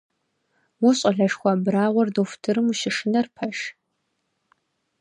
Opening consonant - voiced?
yes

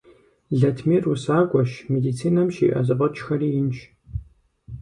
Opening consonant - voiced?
yes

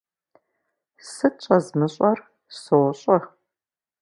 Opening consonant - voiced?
no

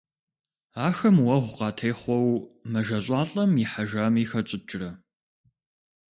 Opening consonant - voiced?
no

